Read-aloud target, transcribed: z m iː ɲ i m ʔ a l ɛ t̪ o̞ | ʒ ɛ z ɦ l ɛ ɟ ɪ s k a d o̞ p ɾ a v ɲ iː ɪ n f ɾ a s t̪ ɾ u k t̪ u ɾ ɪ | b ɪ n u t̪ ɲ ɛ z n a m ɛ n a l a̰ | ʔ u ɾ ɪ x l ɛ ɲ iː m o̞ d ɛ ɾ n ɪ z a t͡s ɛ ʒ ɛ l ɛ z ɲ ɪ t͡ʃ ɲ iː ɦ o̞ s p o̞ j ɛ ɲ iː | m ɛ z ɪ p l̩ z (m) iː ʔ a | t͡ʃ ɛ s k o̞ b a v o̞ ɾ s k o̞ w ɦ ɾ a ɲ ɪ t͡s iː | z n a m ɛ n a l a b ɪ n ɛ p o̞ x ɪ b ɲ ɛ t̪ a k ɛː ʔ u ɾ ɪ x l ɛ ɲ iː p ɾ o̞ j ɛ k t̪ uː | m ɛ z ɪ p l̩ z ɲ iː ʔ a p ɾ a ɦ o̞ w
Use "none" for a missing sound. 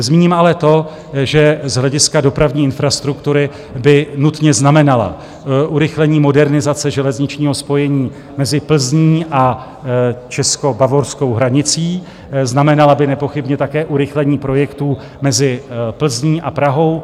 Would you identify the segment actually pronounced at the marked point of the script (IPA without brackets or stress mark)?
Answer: ɲ